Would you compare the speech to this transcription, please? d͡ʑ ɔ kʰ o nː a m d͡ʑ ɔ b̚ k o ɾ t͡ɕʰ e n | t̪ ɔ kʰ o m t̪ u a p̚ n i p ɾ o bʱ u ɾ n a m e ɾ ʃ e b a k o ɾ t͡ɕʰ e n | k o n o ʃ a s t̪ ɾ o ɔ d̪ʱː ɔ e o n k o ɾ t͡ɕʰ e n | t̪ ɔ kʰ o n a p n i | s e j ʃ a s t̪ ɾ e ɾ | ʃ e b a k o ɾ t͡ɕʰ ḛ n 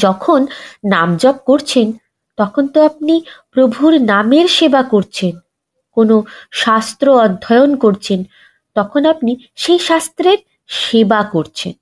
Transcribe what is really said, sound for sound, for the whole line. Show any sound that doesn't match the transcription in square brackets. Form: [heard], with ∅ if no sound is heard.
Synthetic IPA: d͡ʑ ɔ kʰ o nː a m d͡ʑ ɔ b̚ k o ɾ t͡ɕʰ e n | t̪ ɔ kʰ o [n] t̪ [o] a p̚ n i p ɾ o bʱ u ɾ n a m e ɾ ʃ e b a k o ɾ t͡ɕʰ e n | k o n o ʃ a s t̪ ɾ o ɔ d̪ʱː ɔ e o n k o ɾ t͡ɕʰ e n | t̪ ɔ kʰ o n a p n i | [ʃ] e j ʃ a s t̪ ɾ e ɾ | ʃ e b a k o ɾ t͡ɕʰ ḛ n